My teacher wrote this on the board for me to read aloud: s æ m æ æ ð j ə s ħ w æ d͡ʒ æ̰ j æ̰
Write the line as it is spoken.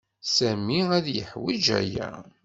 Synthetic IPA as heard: s æ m i æ ð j ə ħ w i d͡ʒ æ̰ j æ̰